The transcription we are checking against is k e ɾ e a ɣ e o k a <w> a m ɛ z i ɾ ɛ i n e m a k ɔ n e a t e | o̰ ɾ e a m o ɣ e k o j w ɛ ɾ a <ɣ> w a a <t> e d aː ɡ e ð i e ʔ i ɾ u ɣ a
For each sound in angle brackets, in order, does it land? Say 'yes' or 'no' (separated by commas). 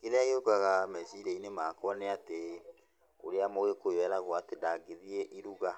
no, yes, yes